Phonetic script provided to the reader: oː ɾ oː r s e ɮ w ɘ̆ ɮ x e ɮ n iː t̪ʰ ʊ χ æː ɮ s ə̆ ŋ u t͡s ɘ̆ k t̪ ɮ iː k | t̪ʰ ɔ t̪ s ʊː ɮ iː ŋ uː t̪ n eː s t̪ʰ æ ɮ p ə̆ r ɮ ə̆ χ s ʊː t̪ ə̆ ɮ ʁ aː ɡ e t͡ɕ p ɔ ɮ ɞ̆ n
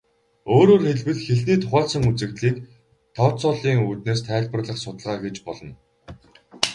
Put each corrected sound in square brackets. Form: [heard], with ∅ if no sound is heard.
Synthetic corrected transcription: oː ɾ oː r [x] e ɮ w ɘ̆ ɮ x e ɮ n iː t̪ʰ ʊ χ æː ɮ s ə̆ ŋ u t͡s ɘ̆ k t̪ ɮ iː k | t̪ʰ ɔ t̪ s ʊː ɮ iː ŋ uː t̪ n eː s t̪ʰ [æː] ɮ p ə̆ r ɮ ə̆ χ s [ʊ] t̪ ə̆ ɮ ʁ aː ɡ e t͡ɕ p ɔ ɮ ɞ̆ n